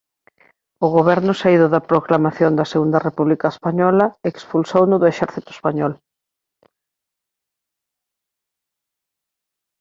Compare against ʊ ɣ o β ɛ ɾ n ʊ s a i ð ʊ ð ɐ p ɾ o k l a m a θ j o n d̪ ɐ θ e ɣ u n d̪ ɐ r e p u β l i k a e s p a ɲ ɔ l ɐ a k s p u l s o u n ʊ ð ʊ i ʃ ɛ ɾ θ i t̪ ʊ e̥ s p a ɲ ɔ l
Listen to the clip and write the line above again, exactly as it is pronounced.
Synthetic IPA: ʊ ɣ o β ɛ ɾ n ʊ s a i ð ʊ ð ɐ p ɾ o k l a m a θ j o n d̪ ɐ s e ɣ u n d̪ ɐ r e p u β l i k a e s p a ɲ ɔ l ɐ e k s p u l s o w n ʊ ð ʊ e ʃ ɛ ɾ θ i t̪ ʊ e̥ s p a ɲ ɔ l